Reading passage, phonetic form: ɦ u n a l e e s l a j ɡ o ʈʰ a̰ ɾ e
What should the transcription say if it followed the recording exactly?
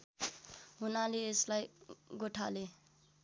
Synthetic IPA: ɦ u n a l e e s l a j ɡ o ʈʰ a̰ l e